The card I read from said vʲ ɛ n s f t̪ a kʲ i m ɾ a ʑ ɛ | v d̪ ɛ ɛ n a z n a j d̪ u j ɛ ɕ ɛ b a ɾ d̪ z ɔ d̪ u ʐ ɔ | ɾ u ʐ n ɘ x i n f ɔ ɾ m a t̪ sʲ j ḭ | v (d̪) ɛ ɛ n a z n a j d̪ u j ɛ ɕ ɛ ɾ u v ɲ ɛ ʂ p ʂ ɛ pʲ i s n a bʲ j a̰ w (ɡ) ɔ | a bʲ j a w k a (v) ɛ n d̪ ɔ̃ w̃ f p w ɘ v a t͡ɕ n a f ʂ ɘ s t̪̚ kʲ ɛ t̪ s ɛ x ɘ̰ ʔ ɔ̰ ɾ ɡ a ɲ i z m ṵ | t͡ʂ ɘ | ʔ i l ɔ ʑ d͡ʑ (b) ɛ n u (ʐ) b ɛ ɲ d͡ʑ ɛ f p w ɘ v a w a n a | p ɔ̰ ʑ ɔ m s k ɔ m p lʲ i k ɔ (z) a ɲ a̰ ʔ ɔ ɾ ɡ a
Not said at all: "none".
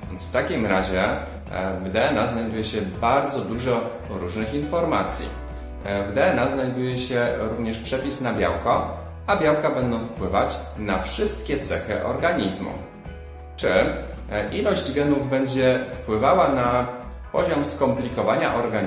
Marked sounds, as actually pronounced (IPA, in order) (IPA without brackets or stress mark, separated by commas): d̪, k, b, ɡ, v, v